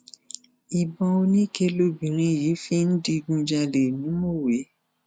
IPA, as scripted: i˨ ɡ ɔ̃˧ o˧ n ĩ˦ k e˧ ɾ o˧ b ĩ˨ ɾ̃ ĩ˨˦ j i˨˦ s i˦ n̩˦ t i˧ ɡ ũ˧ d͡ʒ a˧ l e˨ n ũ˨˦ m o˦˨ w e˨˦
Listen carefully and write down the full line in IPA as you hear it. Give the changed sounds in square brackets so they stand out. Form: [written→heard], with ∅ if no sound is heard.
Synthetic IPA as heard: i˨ [ɡ→b] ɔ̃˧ o˧ n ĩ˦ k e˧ [ɾ→l] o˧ b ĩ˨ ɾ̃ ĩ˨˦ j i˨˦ [s→f] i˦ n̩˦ [t→d] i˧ ɡ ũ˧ d͡ʒ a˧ l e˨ n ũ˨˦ m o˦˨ w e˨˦